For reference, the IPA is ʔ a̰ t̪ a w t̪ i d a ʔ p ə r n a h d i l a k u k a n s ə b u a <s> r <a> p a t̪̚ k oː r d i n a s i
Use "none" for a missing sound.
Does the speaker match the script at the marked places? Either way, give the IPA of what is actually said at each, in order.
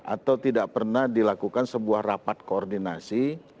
h, a

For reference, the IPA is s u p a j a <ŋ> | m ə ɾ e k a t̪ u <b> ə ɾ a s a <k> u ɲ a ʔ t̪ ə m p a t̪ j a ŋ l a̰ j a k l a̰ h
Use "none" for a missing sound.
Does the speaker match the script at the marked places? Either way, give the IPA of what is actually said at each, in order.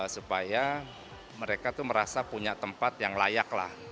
none, m, p

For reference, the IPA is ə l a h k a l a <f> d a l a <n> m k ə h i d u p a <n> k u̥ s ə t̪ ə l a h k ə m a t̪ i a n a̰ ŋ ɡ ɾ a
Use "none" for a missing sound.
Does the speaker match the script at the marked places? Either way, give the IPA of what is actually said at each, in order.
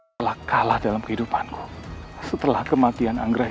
h, none, n

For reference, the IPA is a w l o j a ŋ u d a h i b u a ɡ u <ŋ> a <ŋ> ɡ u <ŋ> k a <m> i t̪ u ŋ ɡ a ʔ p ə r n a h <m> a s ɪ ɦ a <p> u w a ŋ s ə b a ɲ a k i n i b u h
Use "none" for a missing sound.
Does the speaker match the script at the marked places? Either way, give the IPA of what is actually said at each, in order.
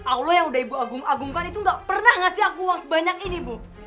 ŋ, none, ŋ, n, ŋ, k

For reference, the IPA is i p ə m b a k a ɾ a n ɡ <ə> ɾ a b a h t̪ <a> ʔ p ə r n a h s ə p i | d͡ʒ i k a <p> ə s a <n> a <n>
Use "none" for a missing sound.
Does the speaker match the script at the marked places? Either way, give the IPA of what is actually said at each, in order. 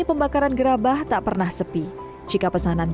ə, a, p, n, n

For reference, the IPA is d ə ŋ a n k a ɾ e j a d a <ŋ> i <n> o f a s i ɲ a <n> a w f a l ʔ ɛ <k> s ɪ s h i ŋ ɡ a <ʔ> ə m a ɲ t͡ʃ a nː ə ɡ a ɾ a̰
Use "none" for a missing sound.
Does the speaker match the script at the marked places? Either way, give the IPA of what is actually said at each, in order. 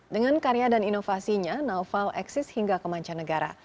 n, n, n, k, k

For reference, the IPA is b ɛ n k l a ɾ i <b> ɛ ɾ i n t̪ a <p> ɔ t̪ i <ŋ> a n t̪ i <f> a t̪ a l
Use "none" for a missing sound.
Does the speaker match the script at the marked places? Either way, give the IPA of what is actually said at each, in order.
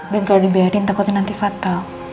b, k, n, f

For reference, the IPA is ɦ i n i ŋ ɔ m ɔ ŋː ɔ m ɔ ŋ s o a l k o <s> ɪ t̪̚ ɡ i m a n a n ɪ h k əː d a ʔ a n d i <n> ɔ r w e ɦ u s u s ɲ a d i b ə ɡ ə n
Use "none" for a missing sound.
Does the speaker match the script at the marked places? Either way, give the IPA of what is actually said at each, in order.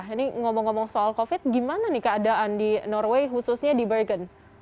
f, n

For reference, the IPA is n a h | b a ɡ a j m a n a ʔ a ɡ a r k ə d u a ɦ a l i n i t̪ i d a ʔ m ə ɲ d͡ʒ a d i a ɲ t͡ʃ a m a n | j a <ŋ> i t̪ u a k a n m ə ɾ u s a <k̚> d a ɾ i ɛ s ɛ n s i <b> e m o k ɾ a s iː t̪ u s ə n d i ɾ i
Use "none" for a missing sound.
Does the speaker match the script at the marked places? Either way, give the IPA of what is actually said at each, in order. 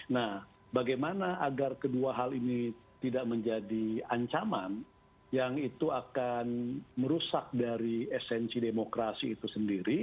ŋ, k̚, d

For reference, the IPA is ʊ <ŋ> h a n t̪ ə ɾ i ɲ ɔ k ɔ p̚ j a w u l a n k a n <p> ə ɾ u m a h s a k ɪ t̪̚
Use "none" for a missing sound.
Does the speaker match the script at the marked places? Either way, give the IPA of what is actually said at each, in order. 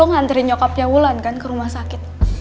ŋ, k

